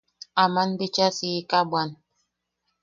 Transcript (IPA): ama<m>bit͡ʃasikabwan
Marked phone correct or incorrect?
incorrect